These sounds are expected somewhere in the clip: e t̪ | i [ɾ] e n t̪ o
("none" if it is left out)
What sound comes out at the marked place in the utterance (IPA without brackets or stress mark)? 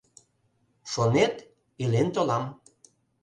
l